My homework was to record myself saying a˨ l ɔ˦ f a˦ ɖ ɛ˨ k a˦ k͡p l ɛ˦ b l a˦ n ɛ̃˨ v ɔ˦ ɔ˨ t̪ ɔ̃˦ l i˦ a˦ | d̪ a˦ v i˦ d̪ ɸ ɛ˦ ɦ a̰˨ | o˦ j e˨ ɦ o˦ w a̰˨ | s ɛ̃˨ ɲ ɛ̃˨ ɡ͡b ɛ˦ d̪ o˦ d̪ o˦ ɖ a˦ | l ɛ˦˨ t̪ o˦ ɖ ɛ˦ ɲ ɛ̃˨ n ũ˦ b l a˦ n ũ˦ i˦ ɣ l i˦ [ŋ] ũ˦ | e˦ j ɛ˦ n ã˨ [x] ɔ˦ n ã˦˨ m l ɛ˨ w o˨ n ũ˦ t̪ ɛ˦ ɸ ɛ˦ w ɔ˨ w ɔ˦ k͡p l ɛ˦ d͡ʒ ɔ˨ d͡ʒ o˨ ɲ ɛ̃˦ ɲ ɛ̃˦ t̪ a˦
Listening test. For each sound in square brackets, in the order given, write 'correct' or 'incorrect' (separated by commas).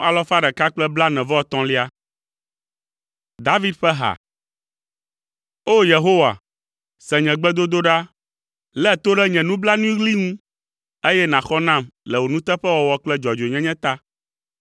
correct, correct